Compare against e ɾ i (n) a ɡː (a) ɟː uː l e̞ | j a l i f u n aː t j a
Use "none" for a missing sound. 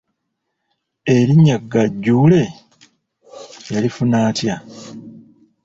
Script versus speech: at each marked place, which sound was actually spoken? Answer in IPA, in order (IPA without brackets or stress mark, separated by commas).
ɲ, a